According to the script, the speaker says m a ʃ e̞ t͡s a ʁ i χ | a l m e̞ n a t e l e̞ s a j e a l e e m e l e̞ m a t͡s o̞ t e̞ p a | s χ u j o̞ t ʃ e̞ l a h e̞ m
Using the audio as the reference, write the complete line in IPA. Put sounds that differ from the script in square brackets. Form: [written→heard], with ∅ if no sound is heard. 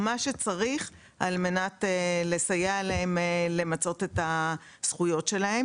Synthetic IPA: m a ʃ e̞ t͡s a ʁ i χ | a l m e̞ n a t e l e̞ s a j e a l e e m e l e̞ m a t͡s o̞ t e̞ [p→t] a | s χ u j o̞ t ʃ e̞ l a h e̞ m

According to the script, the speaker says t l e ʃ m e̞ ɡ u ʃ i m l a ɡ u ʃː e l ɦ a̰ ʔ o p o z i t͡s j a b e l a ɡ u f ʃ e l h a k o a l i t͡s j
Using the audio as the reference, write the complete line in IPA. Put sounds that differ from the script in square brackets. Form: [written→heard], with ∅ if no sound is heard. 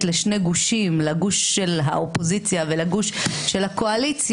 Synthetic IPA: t l e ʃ [m→n] e̞ ɡ u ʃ i m l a ɡ u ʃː e l ɦ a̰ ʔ o p o z i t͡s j a [b→v] e l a ɡ u [f→ʃ] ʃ e l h a k o a l i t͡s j

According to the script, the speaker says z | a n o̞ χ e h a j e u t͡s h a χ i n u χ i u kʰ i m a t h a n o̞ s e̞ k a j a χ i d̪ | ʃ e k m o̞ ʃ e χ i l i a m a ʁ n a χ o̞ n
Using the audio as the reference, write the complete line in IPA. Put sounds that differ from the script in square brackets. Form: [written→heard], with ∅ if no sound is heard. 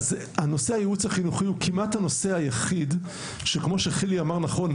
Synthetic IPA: z | a n o̞ [χ→s] e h a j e u t͡s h a χ i n u χ i u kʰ i m a t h a n o̞ s e̞ [k→∅] a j a χ i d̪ | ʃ e k m o̞ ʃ e χ i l i a m a ʁ n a χ o̞ n

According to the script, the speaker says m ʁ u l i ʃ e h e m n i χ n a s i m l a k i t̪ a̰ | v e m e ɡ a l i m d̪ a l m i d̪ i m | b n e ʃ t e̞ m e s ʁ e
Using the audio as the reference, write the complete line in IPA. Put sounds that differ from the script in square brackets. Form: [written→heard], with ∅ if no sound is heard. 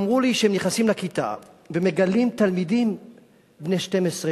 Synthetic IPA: m ʁ u l i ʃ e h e m n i χ n a s i m l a k i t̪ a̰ | v e m e ɡ a l i m [d̪→t̪] a l m i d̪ i m | b n e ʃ t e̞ m e s ʁ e

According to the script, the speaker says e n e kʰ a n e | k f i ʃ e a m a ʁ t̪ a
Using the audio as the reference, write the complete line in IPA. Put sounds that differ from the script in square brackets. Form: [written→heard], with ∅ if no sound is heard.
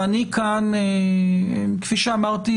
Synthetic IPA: [e→a] n [e→i] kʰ a n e | k f i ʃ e a m a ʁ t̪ [a→i]

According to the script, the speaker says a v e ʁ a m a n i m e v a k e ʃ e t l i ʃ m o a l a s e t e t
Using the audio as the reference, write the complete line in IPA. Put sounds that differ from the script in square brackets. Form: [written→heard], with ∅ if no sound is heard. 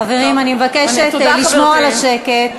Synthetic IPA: a v e ʁ [a→i] m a n i m e v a k e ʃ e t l i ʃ m o a l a [s→ʃ] e [t→k] e t

